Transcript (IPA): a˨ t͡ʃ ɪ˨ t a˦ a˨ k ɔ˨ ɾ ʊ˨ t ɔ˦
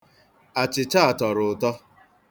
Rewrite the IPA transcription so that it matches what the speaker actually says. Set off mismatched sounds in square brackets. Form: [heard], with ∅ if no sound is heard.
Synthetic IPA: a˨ t͡ʃ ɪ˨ [t͡ʃ] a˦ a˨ [t] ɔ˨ ɾ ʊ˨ t ɔ˦